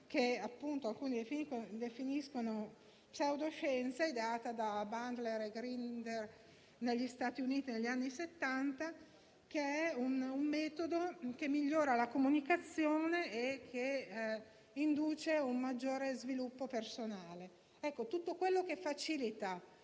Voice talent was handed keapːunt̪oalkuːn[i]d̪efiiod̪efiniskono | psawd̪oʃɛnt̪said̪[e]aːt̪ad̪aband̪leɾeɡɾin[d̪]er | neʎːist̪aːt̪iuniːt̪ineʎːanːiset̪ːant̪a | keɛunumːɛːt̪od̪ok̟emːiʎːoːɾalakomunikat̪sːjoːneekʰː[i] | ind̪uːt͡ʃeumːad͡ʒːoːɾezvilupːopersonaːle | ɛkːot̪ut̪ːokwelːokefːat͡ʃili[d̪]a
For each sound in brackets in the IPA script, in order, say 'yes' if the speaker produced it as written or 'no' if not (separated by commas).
yes, yes, yes, no, no